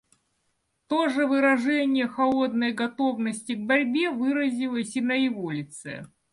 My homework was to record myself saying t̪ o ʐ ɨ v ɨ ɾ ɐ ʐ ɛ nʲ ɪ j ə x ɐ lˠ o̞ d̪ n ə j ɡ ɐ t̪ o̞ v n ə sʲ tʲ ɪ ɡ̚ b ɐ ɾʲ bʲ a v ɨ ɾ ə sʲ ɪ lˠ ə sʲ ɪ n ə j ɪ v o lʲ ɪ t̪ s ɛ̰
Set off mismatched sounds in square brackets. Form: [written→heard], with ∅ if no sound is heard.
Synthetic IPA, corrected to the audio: t̪ o ʐ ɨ v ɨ ɾ ɐ ʐ ɛ nʲ ɪ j ə x ɐ lˠ o̞ d̪ n ə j ɡ ɐ t̪ o̞ v n ə sʲ tʲ ɪ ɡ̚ b ɐ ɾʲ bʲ [a→e] v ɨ ɾ ə [sʲ→zʲ] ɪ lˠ ə sʲ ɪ n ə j ɪ v o lʲ ɪ t̪ s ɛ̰